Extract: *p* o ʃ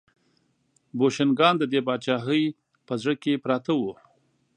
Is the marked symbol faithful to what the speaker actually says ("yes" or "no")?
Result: no